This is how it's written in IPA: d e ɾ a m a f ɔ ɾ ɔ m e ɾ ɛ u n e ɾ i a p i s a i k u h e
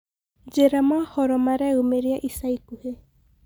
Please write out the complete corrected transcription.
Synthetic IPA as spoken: d͡ʒ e ɾ a m a h ɔ ɾ ɔ m a ɾ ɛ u m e ɾ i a ʔ i s a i k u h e